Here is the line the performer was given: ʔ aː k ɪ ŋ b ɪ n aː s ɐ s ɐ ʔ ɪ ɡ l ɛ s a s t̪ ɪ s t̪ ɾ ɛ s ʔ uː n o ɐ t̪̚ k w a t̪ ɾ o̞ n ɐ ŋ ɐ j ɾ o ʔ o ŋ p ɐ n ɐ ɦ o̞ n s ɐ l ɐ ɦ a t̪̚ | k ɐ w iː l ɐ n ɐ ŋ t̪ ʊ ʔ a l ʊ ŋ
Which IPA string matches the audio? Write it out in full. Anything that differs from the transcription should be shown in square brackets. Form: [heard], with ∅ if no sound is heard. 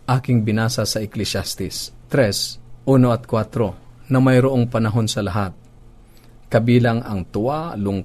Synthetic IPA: ʔ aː k ɪ ŋ b ɪ n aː s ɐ s ɐ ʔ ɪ [k] l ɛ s a s t̪ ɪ s t̪ ɾ ɛ s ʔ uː n o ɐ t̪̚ k w a t̪ ɾ o̞ n ɐ [m] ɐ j ɾ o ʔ o ŋ p ɐ n ɐ ɦ o̞ n s ɐ l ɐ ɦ a t̪̚ | k ɐ [b] iː l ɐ [ŋ] ɐ ŋ t̪ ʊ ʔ a l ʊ ŋ